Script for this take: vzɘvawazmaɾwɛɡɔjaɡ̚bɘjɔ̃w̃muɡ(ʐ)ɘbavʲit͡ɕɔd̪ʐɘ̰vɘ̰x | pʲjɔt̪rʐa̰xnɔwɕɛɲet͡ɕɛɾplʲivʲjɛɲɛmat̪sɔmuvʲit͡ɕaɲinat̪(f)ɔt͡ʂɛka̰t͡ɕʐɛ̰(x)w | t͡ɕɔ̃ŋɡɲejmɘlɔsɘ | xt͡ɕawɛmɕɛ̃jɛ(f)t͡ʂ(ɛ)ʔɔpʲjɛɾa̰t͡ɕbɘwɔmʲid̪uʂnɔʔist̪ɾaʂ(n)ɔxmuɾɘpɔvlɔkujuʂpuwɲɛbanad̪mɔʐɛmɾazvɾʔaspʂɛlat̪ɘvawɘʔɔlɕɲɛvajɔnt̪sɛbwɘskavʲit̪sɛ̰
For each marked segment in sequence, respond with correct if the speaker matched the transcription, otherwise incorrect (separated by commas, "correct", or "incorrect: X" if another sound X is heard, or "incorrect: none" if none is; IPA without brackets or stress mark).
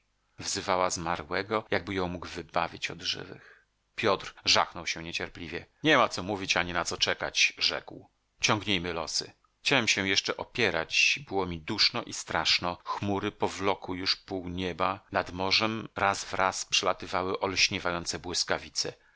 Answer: incorrect: v, incorrect: s, incorrect: k, incorrect: ʂ, correct, correct